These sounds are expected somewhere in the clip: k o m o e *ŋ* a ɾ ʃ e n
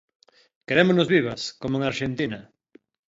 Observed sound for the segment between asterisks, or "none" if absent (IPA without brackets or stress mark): ŋ